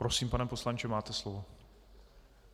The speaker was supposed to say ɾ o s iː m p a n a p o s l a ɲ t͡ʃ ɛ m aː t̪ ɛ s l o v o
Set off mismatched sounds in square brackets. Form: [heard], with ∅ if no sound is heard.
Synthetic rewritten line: ɾ o s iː m p a n [ɛ] p o s l a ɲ t͡ʃ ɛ m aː t̪ ɛ s l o v o

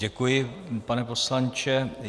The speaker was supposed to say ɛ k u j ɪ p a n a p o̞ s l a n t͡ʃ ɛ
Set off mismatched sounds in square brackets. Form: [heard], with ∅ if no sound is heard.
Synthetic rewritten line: ɛ k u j ɪ p a n [ɛ] p o̞ s l a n t͡ʃ ɛ

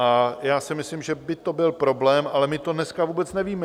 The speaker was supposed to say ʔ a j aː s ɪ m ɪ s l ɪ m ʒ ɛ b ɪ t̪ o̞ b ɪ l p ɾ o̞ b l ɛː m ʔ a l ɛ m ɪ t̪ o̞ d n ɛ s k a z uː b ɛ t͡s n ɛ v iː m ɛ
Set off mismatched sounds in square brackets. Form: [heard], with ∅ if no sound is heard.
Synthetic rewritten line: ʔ a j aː s ɪ m ɪ s l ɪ m ʒ ɛ b ɪ t̪ o̞ b ɪ l p ɾ o̞ b l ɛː m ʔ a l ɛ m ɪ t̪ o̞ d n ɛ s k a [v] uː b ɛ t͡s n ɛ v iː m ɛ

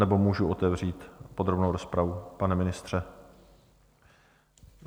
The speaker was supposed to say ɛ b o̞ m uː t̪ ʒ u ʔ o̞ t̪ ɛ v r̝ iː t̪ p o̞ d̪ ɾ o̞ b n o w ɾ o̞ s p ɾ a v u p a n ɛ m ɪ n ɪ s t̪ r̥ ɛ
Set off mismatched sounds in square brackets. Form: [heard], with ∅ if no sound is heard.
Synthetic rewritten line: ɛ b o̞ m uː [∅] ʒ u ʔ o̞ t̪ ɛ v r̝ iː t̪ p o̞ d̪ ɾ o̞ b n o w ɾ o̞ s p ɾ a v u p a n ɛ m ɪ n ɪ s t̪ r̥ ɛ

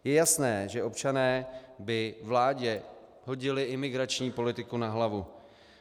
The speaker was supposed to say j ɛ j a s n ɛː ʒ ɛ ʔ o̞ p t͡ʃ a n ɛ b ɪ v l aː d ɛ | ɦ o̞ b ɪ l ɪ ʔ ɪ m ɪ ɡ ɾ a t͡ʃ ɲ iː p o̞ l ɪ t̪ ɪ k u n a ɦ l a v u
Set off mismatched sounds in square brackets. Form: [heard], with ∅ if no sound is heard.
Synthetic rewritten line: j ɛ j a s n ɛː ʒ ɛ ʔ o̞ p t͡ʃ a n [ɛː] b ɪ v l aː [ɟ] ɛ | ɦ o̞ [ɟ] ɪ l ɪ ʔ ɪ m ɪ ɡ ɾ a t͡ʃ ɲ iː p o̞ l ɪ t̪ ɪ k u n a ɦ l a v u

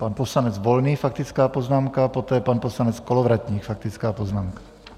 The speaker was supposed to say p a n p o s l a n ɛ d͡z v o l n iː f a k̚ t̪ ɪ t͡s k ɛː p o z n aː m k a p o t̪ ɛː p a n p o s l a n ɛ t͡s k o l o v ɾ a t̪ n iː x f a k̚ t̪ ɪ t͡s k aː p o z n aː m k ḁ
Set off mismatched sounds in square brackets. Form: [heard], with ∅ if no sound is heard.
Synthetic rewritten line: p a n p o s l a n ɛ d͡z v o l n iː f a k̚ t̪ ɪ t͡s k [aː] p o z n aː m k a p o t̪ ɛː p a n p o s l a n ɛ t͡s k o l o v ɾ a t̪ [ɲ] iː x f a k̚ t̪ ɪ t͡s k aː p o z n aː m k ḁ

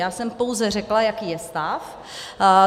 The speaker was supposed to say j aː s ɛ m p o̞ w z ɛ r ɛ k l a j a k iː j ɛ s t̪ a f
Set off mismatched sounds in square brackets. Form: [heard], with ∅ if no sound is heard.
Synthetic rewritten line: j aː s ɛ m p o̞ w z ɛ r ɛ k l a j a k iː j ɛ s t̪ a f

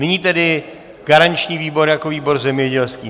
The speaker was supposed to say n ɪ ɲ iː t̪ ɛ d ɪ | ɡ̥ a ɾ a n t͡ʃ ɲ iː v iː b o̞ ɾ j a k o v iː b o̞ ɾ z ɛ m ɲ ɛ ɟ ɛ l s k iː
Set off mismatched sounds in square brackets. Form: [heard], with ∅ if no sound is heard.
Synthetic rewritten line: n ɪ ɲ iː t̪ ɛ d ɪ | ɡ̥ a ɾ a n t͡ʃ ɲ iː v iː b o̞ ɾ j a k o v iː b o̞ ɾ z ɛ m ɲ ɛ ɟ ɛ l s k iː

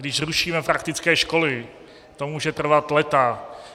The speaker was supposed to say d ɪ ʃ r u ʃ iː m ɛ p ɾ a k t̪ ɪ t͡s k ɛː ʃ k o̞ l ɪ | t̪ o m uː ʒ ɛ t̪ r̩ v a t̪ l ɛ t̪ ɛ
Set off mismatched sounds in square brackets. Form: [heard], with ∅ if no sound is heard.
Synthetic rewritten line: d ɪ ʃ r u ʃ iː m ɛ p ɾ a k t̪ ɪ t͡s k ɛː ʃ k o̞ l ɪ | t̪ o m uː ʒ ɛ t̪ r̩ v a t̪ l ɛ t̪ [a]

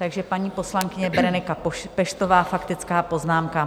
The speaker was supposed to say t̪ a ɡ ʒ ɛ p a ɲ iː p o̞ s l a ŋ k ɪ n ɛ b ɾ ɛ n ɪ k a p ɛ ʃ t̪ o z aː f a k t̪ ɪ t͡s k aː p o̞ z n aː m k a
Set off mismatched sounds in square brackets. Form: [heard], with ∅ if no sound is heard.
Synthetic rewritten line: t̪ a ɡ ʒ ɛ p a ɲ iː p o̞ s l a ŋ k ɪ [ɲ] ɛ b ɾ ɛ n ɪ k a p ɛ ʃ t̪ o [v] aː f a k t̪ ɪ t͡s k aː p o̞ z n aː m k a

